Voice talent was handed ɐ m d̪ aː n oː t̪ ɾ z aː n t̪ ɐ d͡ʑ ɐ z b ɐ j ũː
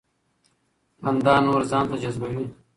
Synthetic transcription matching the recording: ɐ n d̪ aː n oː ɾ z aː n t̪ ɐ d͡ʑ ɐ z b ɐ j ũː